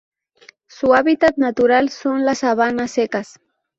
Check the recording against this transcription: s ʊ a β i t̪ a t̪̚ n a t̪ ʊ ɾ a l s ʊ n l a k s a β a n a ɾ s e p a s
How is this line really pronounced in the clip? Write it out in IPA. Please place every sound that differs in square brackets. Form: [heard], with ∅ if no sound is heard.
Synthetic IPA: s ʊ a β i t̪ a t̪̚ n a t̪ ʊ ɾ a l s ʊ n l a [∅] s a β a n a [∅] s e [k] a s